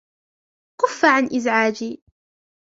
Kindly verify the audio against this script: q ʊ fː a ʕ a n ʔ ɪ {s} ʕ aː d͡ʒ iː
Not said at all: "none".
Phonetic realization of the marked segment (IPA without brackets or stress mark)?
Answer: z